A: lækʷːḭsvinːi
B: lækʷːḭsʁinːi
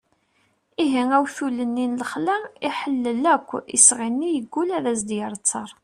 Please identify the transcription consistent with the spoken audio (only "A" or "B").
B